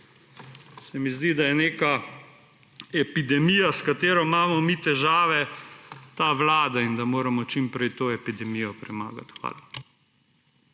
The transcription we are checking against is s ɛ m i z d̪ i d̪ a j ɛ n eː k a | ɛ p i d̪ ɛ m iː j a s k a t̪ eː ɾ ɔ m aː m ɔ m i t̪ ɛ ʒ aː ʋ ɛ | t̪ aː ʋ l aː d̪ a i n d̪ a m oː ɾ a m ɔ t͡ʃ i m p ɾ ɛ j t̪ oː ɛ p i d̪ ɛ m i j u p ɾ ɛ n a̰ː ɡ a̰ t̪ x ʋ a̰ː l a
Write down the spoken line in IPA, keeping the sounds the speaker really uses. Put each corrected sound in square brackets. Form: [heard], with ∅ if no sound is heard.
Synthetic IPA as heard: s ɛ m i z d̪ i d̪ a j ɛ n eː k a | ɛ p i d̪ ɛ m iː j a s k a t̪ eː ɾ ɔ m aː m ɔ m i t̪ ɛ ʒ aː ʋ ɛ | t̪ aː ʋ l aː d̪ a i n d̪ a m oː ɾ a m ɔ t͡ʃ i m p ɾ ɛ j t̪ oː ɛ p i d̪ ɛ m i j [ɔ] p ɾ ɛ [m] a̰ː ɡ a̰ t̪ x ʋ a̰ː l a